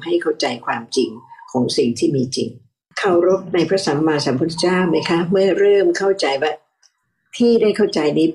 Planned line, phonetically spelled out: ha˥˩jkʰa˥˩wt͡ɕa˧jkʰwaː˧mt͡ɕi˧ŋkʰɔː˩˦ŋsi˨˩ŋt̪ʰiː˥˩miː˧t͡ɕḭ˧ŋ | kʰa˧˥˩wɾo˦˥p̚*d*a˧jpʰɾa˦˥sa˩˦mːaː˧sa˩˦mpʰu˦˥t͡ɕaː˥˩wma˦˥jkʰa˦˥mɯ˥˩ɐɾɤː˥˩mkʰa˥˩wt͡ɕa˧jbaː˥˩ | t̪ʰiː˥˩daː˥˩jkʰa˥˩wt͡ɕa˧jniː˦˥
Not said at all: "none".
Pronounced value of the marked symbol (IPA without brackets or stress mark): n